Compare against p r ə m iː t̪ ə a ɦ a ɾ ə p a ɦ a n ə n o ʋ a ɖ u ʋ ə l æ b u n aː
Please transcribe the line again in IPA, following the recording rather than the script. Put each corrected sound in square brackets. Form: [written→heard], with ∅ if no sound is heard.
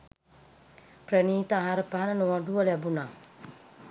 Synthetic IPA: p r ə [m→n] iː t̪ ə a ɦ a ɾ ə p a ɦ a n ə n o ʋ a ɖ u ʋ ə l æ b u n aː